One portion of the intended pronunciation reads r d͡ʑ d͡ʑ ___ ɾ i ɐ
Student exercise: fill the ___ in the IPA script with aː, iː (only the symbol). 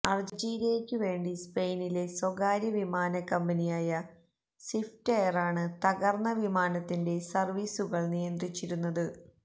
iː